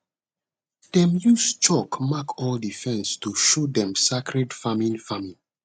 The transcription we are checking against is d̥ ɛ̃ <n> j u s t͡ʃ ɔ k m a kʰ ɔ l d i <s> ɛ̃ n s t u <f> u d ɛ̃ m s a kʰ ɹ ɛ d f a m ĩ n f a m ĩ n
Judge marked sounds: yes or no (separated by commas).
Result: no, no, no